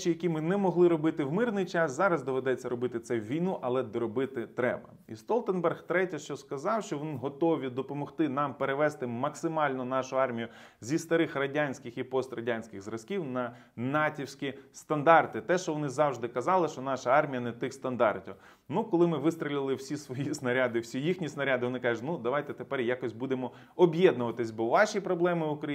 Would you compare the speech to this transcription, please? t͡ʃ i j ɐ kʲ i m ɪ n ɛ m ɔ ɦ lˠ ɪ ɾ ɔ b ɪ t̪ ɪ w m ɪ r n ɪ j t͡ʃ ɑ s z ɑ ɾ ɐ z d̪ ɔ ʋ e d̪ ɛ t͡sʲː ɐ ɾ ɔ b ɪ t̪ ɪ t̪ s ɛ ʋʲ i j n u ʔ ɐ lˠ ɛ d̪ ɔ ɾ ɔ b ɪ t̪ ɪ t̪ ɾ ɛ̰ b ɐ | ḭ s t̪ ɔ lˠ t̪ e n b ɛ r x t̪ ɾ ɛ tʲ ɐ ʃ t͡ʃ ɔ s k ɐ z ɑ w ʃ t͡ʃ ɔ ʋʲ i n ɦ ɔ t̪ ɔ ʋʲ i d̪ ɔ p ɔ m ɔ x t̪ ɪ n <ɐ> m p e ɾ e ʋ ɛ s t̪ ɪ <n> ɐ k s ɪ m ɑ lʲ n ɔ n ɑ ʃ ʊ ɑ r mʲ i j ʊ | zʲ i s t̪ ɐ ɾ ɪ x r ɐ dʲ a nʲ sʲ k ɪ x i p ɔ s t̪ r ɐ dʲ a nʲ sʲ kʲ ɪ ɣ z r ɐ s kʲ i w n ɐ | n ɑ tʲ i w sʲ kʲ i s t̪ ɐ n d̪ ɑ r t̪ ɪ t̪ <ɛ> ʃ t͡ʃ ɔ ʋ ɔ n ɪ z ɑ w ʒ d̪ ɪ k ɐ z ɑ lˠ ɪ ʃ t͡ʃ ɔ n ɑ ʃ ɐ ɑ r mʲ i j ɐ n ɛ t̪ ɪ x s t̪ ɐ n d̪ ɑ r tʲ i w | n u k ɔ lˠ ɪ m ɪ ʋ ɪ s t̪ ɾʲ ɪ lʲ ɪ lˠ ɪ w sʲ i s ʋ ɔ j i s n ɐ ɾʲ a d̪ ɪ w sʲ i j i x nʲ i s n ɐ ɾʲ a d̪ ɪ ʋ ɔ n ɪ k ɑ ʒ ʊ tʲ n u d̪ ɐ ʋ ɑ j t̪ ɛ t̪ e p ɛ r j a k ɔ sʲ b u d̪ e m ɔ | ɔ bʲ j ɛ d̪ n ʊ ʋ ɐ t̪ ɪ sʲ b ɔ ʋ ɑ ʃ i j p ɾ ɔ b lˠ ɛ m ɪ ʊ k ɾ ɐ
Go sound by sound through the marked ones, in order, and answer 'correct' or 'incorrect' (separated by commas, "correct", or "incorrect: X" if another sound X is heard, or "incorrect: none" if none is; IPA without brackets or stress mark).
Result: incorrect: ɑ, incorrect: m, correct